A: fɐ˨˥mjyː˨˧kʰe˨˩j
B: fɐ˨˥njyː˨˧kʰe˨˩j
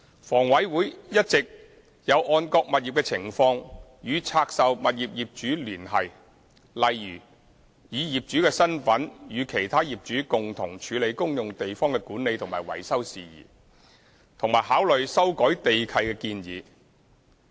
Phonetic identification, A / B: B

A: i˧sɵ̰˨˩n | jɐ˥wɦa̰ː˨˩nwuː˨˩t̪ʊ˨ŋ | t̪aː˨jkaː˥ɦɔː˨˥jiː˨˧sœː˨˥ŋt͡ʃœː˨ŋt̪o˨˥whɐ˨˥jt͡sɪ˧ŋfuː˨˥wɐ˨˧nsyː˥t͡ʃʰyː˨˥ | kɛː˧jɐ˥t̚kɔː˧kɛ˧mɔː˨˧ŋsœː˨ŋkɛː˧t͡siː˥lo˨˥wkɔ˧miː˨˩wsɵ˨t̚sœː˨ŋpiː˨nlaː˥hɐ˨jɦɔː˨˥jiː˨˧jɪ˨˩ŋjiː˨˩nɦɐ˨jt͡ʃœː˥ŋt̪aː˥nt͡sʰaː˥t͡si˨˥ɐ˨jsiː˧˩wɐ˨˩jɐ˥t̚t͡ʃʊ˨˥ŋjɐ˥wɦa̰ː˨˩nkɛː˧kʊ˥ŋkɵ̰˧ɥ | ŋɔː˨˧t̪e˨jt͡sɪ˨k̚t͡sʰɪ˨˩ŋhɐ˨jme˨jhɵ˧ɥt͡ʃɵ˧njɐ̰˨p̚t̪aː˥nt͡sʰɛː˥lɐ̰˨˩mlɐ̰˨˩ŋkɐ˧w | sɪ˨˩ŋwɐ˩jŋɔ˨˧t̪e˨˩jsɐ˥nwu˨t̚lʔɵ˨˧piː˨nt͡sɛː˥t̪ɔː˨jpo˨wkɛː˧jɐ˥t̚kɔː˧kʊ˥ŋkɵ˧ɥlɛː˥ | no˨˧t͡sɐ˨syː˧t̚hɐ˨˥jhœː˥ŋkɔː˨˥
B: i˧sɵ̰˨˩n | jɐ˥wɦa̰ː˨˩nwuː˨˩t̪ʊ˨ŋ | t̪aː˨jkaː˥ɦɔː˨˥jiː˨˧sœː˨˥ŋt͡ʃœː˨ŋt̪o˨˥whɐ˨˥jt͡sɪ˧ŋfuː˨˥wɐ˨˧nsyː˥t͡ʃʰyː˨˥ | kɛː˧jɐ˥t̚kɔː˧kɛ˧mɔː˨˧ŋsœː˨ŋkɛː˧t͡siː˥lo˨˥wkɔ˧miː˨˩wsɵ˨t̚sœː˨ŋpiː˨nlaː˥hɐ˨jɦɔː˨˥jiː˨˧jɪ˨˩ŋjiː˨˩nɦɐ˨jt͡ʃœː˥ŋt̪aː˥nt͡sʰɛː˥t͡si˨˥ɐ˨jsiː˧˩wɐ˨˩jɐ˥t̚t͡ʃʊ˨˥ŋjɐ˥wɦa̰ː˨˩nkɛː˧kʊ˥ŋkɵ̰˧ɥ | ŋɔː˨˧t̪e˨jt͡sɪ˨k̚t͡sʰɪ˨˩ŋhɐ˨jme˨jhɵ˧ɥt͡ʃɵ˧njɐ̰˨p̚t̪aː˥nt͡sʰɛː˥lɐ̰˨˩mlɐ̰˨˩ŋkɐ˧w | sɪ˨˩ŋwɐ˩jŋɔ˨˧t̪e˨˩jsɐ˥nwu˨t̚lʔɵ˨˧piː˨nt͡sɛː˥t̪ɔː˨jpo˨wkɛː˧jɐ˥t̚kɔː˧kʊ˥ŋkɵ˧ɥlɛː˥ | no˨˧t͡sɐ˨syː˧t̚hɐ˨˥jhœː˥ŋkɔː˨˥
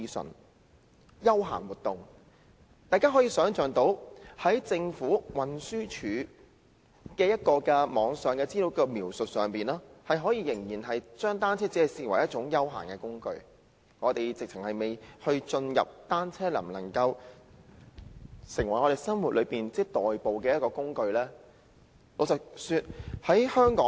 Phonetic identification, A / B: B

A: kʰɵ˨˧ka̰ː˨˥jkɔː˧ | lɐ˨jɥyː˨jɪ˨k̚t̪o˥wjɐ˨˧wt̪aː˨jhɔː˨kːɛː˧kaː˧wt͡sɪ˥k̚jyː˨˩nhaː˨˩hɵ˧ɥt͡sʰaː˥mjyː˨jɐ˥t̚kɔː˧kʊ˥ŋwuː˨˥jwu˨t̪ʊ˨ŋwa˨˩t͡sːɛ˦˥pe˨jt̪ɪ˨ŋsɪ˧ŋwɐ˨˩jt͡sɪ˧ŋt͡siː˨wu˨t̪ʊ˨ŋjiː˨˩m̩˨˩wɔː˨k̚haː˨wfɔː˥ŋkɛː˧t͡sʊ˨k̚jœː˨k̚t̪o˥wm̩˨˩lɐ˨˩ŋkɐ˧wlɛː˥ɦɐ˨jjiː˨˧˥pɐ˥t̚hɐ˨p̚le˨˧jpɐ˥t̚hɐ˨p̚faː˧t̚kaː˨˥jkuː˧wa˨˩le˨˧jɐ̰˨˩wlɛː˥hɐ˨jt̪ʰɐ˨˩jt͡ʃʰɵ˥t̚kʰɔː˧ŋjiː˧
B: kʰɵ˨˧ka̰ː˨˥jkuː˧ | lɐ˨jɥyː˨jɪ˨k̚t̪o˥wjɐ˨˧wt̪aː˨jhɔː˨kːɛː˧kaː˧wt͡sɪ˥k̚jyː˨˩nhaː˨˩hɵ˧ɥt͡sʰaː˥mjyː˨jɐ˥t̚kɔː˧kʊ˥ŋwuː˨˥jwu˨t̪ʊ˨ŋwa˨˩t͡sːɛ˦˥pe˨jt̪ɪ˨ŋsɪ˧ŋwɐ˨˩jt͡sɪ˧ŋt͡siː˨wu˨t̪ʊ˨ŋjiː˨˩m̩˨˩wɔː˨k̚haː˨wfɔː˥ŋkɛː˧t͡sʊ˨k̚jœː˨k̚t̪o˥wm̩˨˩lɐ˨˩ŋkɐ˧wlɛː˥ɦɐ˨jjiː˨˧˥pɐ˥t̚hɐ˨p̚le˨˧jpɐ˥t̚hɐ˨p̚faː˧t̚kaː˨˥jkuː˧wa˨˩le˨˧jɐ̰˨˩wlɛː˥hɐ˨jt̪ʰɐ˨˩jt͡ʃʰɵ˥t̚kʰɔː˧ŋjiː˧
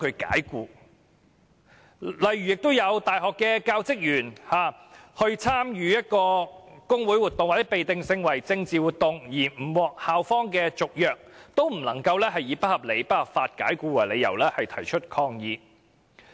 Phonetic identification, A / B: B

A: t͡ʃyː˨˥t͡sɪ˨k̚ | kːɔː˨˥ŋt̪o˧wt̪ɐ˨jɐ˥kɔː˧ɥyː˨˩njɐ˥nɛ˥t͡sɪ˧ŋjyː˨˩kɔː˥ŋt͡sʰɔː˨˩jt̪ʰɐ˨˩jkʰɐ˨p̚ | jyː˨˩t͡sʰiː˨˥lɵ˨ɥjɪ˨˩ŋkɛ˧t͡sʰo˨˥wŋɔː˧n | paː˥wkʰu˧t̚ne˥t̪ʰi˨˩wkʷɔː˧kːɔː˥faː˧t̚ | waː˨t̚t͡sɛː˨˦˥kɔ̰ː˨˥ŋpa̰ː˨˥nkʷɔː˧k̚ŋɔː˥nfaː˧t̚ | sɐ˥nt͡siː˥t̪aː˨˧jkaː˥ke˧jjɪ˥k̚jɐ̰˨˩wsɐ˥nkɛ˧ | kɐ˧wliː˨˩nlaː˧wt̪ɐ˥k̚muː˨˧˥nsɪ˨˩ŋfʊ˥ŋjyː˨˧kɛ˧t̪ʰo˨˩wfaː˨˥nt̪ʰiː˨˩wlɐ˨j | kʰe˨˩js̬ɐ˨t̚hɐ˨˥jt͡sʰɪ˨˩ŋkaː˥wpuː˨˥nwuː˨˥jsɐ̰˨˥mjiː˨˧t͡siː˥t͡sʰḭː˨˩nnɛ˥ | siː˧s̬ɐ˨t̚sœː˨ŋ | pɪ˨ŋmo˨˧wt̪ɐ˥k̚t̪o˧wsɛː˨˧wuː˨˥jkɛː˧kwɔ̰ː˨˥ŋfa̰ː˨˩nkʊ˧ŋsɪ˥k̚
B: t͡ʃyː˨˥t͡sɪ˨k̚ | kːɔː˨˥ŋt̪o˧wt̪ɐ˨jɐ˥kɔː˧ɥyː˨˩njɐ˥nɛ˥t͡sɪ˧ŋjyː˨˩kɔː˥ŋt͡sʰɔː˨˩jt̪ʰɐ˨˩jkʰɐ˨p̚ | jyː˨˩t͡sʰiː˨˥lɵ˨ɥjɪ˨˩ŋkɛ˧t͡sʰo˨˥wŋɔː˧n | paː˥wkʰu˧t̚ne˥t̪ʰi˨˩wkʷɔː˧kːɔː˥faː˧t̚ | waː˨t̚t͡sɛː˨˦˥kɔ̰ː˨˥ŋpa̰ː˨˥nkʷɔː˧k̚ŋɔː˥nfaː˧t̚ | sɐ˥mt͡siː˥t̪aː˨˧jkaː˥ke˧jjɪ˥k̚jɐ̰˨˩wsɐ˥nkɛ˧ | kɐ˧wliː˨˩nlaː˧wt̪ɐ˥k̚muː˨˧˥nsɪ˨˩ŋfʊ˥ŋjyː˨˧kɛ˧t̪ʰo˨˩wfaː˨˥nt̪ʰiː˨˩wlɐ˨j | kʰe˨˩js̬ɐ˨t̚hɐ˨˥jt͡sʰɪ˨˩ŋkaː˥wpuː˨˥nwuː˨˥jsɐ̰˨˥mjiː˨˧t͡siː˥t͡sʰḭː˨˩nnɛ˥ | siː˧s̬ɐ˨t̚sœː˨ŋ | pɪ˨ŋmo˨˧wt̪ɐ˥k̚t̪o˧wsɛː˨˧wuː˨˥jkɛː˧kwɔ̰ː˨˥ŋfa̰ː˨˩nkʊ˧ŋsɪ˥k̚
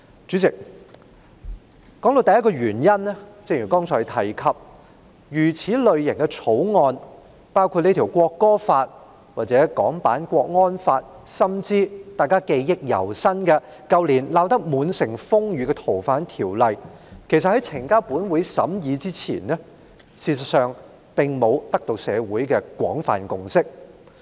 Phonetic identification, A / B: B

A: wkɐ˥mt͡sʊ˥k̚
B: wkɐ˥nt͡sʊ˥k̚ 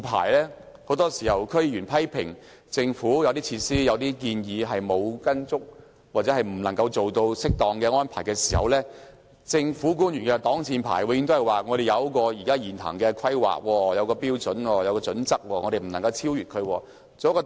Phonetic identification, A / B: B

